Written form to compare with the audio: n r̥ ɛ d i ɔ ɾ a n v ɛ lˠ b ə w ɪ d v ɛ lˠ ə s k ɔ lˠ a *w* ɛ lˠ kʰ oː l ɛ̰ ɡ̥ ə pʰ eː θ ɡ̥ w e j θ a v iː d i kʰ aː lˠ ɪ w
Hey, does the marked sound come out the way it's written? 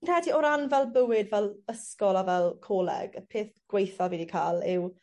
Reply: no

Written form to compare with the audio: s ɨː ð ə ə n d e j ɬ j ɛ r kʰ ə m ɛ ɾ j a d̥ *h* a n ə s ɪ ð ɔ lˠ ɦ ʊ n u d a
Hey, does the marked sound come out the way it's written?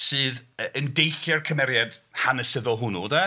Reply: yes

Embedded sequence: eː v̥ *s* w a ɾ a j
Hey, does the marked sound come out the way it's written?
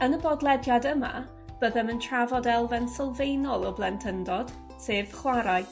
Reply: no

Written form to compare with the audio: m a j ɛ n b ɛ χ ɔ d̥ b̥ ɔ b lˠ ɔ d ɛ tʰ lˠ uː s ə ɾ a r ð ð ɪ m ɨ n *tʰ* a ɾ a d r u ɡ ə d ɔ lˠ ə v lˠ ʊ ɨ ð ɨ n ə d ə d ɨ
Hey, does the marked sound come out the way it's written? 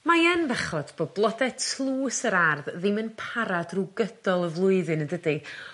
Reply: no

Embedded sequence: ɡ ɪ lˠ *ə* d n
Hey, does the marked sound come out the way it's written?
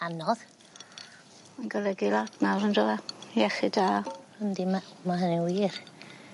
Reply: no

